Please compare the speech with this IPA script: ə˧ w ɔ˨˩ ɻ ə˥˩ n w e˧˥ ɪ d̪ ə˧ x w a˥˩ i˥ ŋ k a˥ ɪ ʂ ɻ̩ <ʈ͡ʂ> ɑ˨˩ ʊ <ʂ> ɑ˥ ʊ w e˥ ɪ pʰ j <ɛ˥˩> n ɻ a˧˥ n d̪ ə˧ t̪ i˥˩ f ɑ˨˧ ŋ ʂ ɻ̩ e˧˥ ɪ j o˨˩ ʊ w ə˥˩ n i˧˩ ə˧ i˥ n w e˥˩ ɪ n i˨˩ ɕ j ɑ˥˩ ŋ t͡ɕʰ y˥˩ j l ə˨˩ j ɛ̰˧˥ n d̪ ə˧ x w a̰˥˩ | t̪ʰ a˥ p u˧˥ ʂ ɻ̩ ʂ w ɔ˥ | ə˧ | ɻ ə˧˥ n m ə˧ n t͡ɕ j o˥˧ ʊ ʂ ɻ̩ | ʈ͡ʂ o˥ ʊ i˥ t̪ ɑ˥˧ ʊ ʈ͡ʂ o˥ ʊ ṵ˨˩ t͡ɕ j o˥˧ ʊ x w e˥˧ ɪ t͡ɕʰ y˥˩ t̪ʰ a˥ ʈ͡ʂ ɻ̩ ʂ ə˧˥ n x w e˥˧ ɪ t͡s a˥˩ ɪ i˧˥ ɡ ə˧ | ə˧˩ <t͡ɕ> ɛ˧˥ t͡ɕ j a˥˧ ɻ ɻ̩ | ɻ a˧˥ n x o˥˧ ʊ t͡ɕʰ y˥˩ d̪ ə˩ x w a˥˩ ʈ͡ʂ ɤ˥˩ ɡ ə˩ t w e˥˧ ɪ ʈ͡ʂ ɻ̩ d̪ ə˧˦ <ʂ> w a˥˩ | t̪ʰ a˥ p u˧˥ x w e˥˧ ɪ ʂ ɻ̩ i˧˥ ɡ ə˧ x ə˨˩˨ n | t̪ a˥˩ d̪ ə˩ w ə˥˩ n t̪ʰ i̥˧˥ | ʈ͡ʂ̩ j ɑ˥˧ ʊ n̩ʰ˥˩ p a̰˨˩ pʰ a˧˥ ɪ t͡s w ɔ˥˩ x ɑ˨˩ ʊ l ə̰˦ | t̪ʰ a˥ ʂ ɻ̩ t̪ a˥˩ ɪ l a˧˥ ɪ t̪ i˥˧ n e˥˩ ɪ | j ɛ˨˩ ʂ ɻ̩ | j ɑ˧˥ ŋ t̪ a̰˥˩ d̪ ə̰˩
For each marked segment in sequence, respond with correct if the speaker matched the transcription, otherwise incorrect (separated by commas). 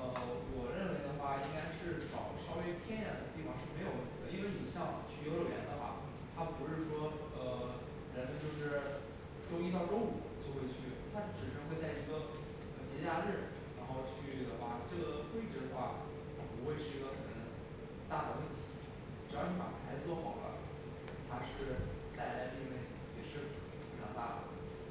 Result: correct, correct, incorrect, correct, incorrect